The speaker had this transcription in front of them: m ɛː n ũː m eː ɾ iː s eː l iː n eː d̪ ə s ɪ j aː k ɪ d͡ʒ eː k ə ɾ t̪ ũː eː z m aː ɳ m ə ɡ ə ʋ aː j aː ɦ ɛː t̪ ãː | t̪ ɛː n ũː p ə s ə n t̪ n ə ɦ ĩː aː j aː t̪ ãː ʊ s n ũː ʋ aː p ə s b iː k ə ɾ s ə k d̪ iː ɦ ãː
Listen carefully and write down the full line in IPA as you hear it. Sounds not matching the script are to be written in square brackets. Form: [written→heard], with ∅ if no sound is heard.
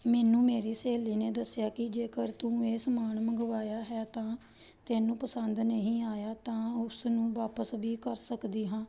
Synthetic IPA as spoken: m ɛː n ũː m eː ɾ iː s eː l iː n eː d̪ ə s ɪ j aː k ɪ d͡ʒ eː k ə ɾ t̪ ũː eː [z→s] m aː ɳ m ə ɡ ə ʋ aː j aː ɦ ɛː t̪ ãː | t̪ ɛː n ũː p ə s ə n [t̪→d̪] n ə ɦ ĩː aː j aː t̪ ãː ʊ s n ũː ʋ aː p ə s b iː k ə ɾ s ə k d̪ iː ɦ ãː